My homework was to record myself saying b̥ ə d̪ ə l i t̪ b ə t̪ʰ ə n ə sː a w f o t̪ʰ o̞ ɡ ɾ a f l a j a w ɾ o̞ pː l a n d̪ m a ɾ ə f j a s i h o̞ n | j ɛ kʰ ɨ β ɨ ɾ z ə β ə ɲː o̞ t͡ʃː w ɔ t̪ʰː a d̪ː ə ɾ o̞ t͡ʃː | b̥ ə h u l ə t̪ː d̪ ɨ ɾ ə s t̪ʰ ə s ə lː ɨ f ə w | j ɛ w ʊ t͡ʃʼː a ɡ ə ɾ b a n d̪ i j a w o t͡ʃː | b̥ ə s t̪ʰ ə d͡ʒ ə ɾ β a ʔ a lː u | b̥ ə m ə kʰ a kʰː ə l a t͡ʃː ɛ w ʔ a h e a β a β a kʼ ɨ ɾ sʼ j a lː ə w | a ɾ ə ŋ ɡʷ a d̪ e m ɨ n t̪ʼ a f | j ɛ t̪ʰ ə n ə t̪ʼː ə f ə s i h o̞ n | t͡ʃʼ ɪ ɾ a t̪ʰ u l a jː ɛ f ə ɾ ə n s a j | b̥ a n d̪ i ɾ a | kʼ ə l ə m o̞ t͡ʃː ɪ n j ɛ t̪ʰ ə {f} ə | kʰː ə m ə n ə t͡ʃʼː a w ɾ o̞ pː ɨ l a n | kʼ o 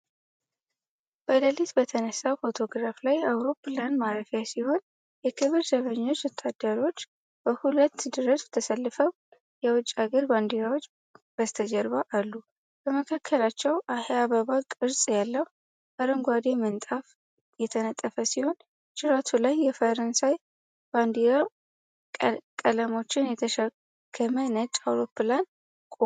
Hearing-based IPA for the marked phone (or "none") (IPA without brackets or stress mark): ʃ